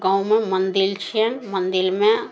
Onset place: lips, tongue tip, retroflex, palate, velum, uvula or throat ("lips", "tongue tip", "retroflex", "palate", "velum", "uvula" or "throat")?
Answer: velum